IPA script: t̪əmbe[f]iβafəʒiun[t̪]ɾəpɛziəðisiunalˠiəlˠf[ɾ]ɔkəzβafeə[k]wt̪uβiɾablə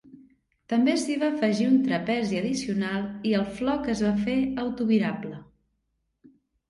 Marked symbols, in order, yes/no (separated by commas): no, yes, no, no